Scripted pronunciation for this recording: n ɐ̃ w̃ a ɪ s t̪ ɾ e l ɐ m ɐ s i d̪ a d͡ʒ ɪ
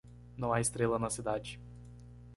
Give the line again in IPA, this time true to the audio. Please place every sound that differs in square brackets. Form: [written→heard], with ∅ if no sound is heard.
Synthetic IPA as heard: n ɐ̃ w̃ a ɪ s t̪ ɾ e l ɐ [m→n] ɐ s i d̪ a d͡ʒ ɪ